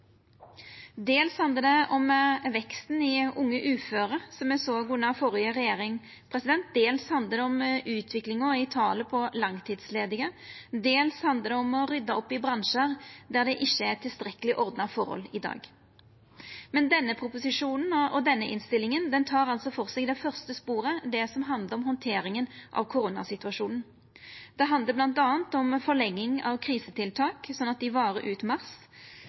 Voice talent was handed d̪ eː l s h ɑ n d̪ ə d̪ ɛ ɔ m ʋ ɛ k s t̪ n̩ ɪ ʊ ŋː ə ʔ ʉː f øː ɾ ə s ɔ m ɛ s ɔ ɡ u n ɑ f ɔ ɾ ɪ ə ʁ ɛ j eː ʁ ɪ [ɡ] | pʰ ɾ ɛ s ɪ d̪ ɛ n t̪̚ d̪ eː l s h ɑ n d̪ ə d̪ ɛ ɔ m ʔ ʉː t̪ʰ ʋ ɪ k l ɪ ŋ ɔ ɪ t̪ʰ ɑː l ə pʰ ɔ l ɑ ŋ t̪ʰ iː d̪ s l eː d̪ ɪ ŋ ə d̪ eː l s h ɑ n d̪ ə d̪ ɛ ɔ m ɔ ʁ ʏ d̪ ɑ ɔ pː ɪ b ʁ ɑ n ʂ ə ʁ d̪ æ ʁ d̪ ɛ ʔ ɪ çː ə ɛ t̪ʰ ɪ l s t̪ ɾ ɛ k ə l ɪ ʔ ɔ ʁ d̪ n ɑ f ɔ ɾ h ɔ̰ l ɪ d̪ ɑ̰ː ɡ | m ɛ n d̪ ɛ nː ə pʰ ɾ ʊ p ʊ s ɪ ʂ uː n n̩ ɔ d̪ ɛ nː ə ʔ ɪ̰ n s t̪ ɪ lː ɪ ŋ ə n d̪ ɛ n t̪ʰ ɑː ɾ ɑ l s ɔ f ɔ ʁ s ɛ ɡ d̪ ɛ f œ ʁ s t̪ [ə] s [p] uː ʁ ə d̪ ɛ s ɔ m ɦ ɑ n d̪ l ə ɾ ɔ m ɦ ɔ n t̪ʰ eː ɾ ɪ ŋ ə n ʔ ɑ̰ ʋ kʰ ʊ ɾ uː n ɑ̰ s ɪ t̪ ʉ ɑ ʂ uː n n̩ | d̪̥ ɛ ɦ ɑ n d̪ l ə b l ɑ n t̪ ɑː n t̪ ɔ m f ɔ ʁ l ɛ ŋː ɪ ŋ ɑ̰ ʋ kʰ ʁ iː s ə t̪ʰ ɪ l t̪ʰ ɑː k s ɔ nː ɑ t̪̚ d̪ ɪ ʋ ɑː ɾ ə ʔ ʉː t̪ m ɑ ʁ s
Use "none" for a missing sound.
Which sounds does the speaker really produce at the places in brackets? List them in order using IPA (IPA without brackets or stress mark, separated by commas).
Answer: ŋ, ə, p